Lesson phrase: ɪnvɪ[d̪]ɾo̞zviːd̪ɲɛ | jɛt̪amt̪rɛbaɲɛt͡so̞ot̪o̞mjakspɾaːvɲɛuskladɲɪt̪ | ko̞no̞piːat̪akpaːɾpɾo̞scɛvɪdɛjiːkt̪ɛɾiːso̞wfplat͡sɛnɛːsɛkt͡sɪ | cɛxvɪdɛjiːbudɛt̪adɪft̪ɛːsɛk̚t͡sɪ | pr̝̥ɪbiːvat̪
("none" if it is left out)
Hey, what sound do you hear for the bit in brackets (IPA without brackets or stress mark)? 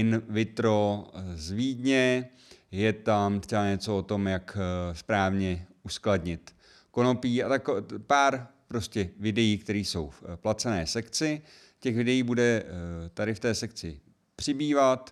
t̪